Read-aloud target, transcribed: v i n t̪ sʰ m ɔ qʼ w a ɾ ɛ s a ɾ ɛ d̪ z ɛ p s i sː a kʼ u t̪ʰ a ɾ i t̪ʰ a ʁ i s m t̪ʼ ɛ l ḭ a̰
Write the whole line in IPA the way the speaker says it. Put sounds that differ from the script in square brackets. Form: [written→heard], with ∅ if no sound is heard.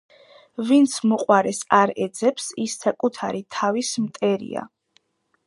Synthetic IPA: v i n t̪ sʰ m ɔ qʼ w a ɾ ɛ s a ɾ ɛ d̪ z ɛ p s i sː a kʼ u t̪ʰ a ɾ i t̪ʰ a [ʁ→v] i s m t̪ʼ ɛ [l→ɾ] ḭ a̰